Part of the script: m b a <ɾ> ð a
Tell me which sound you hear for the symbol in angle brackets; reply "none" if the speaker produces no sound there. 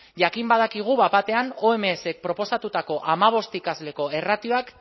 none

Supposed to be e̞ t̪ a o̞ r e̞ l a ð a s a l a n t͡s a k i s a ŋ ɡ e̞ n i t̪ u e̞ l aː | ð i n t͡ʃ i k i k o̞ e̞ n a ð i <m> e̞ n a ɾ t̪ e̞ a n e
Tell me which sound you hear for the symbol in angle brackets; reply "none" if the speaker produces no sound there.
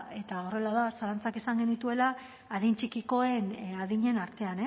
ɲ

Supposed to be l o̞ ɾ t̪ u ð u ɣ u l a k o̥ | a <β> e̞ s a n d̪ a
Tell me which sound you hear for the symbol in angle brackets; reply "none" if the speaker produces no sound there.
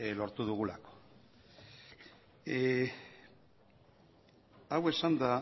w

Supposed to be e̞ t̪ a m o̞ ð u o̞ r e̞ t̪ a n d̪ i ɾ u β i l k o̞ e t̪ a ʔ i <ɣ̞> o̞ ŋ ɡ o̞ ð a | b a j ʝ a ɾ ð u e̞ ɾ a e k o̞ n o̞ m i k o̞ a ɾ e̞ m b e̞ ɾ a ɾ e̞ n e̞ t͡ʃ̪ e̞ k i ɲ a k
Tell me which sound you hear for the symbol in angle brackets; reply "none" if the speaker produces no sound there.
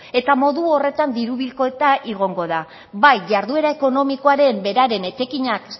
ɣ̞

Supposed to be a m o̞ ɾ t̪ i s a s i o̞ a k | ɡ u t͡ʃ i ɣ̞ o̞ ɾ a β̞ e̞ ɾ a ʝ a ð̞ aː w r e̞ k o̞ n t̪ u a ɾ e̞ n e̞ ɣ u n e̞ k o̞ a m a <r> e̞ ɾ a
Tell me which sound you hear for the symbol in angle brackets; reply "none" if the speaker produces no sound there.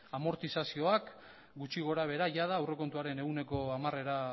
r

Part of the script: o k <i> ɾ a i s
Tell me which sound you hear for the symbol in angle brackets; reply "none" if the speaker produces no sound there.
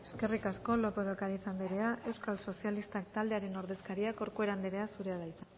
a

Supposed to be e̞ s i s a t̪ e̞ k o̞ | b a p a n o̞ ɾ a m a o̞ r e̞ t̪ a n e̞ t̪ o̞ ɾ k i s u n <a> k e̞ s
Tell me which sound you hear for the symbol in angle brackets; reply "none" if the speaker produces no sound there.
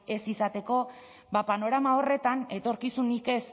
i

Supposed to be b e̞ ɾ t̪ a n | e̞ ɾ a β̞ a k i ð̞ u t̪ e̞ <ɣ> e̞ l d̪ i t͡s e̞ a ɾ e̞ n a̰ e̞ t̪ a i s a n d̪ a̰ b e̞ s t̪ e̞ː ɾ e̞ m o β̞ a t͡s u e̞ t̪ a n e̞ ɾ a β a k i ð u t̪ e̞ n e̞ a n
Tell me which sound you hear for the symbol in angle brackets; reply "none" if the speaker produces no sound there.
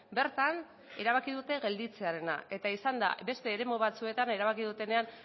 ɣ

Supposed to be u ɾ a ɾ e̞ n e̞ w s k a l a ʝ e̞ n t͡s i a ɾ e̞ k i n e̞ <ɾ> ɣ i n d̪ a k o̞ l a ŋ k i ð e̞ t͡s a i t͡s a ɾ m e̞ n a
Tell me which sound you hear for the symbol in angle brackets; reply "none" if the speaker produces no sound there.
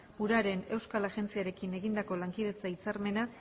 none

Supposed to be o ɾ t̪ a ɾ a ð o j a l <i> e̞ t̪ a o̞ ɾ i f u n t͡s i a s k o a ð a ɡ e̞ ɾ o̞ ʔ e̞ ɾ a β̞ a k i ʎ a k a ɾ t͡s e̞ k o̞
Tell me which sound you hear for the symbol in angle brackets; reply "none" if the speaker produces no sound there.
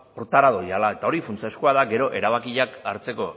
a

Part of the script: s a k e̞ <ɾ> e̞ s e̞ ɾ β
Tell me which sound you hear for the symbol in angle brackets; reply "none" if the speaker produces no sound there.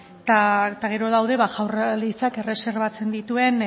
r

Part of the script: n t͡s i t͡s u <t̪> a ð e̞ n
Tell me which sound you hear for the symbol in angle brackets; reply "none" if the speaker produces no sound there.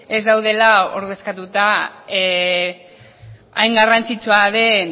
none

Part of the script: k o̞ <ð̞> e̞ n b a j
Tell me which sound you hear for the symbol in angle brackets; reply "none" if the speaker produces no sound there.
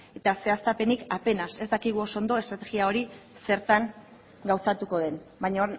ð̞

